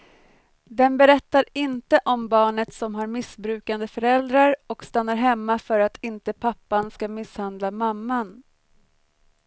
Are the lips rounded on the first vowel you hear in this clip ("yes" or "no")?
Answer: no